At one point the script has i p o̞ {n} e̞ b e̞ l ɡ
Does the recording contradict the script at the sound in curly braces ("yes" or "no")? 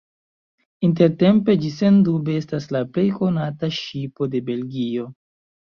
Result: yes